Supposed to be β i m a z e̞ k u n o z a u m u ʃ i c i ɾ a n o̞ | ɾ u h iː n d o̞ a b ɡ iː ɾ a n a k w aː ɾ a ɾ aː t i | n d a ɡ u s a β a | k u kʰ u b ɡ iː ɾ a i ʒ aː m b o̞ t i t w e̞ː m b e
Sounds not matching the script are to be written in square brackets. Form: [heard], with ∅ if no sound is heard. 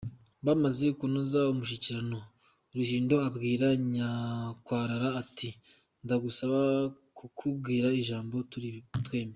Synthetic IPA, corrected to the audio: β [a] m a z e̞ k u n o z a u m u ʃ i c i ɾ a n o̞ | ɾ u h iː n d o̞ a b ɡ iː ɾ a [ɲ] a k w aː ɾ a ɾ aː t i | n d a ɡ u s a β a | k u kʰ u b ɡ iː ɾ a i ʒ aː m b o̞ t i t w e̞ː m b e